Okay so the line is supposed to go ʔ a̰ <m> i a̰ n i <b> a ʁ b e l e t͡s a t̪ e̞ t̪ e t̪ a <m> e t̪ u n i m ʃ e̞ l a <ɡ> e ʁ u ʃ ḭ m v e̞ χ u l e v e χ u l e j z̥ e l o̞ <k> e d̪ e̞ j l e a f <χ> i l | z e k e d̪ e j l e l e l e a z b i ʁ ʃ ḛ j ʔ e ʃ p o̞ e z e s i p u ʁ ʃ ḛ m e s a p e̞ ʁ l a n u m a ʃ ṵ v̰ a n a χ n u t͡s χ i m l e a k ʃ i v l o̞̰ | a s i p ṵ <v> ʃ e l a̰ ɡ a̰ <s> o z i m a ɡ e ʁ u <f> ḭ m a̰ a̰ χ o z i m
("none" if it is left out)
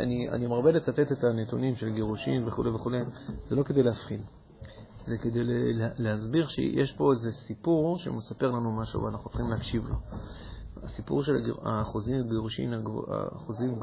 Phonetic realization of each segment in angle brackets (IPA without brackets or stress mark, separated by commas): n, m, n, ɡ, k, χ, ʁ, χ, ʃ